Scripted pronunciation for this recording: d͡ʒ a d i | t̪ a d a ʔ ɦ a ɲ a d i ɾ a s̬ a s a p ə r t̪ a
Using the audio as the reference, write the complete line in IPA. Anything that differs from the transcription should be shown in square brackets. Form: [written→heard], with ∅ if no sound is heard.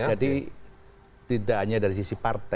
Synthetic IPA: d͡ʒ a d i | t̪ [a→i] d a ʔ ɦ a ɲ a d [i→a] ɾ [a→i] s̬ [a→i] s [a→i] p [ə→a] r t̪ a